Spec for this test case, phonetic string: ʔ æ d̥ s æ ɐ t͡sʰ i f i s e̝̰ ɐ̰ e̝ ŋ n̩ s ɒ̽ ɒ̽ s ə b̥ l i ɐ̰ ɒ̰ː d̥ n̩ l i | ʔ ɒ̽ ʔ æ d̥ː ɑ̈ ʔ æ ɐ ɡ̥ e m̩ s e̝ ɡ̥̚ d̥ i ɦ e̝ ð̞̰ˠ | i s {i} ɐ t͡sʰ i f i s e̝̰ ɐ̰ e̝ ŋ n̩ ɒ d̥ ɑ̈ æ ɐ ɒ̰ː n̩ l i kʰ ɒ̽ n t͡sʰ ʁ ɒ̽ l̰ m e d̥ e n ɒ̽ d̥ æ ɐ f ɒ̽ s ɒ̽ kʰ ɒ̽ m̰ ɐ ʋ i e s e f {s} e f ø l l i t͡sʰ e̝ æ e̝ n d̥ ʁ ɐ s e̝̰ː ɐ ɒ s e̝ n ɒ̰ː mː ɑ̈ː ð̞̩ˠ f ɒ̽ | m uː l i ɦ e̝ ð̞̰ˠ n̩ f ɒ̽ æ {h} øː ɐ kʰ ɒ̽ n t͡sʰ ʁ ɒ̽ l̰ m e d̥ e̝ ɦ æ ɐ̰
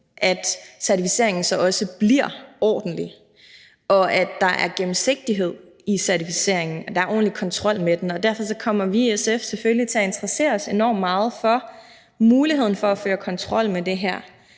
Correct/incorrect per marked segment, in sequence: incorrect, correct, incorrect

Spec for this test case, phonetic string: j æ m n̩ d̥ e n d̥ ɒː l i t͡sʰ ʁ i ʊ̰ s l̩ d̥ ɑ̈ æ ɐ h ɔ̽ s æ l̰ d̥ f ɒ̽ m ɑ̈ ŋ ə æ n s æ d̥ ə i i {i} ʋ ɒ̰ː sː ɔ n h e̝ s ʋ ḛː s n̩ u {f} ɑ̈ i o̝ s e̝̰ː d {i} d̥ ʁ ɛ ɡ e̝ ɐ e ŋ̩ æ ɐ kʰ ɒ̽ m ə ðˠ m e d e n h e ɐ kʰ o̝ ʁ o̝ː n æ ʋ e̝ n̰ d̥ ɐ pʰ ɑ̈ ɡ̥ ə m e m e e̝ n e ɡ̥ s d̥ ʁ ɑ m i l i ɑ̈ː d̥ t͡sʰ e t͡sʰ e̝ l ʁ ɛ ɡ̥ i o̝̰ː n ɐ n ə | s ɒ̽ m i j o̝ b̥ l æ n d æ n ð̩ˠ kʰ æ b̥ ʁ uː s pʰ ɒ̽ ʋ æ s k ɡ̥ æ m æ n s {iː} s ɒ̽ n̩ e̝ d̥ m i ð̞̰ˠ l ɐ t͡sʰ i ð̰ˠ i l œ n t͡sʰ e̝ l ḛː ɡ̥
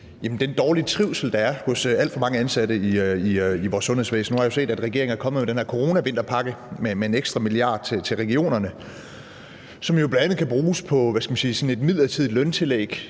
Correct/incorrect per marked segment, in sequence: correct, incorrect, incorrect, correct

